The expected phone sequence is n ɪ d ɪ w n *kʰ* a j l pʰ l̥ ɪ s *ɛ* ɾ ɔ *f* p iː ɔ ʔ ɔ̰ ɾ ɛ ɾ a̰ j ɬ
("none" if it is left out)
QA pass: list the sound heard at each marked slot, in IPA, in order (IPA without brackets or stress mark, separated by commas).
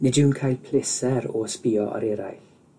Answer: kʰ, ɛ, s